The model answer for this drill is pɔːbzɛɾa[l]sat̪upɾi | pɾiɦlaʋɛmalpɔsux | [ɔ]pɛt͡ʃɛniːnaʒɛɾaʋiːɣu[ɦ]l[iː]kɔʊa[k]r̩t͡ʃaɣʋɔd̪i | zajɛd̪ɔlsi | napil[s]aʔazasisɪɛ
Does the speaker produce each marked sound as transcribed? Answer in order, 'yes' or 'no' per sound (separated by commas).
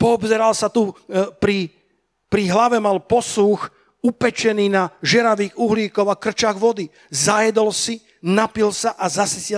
yes, no, yes, yes, yes, yes